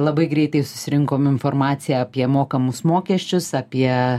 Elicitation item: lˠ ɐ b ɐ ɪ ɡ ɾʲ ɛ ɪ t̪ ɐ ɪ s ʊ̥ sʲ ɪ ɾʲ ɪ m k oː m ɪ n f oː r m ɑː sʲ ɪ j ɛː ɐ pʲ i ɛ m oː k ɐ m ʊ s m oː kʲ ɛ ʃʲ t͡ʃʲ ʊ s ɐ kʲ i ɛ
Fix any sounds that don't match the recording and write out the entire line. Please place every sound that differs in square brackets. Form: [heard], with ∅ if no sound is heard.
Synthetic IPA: lˠ ɐ b ɐ ɪ ɡ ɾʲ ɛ ɪ t̪ ɐ ɪ s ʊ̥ sʲ ɪ ɾʲ ɪ [ŋ] k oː m ɪ n f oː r m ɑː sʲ ɪ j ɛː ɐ pʲ i ɛ m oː k ɐ m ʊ s m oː kʲ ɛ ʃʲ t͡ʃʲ ʊ s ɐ [pʲ] i ɛ